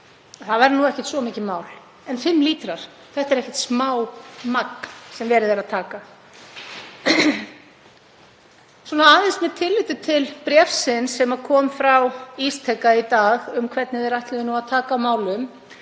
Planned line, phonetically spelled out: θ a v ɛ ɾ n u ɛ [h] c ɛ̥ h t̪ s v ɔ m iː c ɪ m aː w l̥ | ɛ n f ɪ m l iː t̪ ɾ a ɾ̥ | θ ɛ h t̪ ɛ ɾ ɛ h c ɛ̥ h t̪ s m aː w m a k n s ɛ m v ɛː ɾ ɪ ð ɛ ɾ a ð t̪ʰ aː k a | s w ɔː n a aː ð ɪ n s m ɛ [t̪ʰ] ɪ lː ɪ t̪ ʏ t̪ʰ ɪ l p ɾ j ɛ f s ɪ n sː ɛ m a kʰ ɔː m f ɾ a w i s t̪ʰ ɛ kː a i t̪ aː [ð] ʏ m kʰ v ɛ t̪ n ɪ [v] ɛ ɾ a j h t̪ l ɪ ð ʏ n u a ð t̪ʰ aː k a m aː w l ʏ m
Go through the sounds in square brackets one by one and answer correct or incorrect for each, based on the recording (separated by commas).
correct, correct, incorrect, incorrect